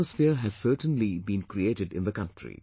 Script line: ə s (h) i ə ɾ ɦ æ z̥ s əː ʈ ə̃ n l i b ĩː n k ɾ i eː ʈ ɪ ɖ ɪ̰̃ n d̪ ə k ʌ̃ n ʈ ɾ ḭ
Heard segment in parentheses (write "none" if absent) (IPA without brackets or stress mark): f